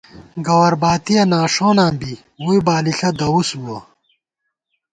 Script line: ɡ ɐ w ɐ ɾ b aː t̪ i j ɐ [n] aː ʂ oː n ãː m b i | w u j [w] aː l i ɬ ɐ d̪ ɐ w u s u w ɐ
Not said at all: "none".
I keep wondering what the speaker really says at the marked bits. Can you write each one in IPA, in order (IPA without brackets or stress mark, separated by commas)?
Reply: n, b